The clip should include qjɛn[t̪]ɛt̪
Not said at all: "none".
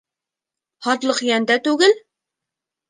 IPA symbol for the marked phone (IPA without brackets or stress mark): d̪